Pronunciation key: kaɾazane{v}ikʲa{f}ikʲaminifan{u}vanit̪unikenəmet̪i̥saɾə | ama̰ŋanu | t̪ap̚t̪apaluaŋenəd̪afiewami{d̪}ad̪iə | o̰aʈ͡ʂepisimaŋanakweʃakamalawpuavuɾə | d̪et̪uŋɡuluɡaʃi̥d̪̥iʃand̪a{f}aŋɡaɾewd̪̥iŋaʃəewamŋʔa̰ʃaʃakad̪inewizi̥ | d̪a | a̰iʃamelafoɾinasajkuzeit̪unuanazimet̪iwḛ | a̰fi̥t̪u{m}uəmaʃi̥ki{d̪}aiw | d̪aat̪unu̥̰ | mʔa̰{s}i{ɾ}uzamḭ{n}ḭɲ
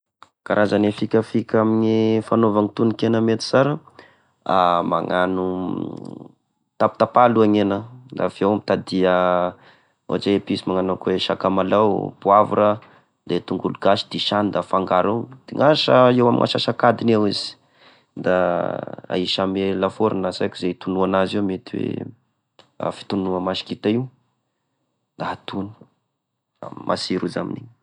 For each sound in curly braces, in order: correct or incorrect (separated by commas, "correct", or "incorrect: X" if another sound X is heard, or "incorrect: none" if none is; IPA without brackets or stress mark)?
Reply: incorrect: f, correct, incorrect: o, incorrect: t̪, correct, incorrect: n, incorrect: t̪, correct, correct, correct